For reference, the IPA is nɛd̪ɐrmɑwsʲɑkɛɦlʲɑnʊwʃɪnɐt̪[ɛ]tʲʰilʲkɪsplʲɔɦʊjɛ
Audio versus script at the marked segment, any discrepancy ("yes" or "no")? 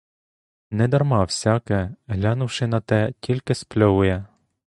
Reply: no